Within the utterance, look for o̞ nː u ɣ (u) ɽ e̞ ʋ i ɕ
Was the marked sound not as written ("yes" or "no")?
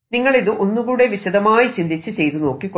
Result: yes